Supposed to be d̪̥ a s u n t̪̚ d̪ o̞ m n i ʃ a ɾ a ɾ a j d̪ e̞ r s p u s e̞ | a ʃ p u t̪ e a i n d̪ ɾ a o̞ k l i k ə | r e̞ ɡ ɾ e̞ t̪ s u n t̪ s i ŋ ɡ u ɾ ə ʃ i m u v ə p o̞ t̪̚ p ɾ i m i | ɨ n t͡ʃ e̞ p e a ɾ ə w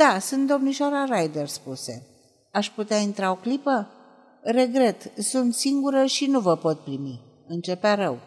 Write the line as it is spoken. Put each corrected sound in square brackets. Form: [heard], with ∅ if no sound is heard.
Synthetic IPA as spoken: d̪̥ a s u n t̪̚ d̪ o̞ m n i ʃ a ɾ a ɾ a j d̪ e̞ r s p u s e̞ | a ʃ p u t̪ e a i n [t̪] ɾ a o̞ k l i [p] ə | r e̞ ɡ ɾ e̞ t̪ s u n t̪ s i ŋ ɡ u ɾ ə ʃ i [n] u v ə p o̞ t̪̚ p ɾ i m i | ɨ n t͡ʃ e̞ p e a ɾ ə w